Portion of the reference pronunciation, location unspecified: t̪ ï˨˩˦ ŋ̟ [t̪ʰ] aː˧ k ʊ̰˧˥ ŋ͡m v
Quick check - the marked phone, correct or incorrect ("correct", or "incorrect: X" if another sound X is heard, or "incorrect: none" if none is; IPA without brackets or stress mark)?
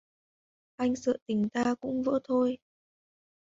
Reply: incorrect: t̪